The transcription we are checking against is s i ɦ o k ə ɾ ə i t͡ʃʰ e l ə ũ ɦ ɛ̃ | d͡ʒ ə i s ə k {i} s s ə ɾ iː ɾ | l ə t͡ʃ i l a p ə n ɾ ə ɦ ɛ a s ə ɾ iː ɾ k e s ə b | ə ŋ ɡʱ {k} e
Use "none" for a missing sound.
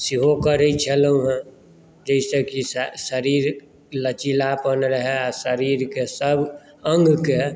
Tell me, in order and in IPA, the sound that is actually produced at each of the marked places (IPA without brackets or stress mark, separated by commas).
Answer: i, k